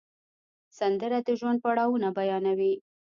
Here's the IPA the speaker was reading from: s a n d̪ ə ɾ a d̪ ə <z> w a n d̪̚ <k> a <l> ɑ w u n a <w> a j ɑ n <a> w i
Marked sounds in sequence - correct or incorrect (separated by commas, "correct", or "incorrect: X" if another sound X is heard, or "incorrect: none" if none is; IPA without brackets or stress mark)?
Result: incorrect: ʒ, incorrect: p, incorrect: ɽ, incorrect: b, correct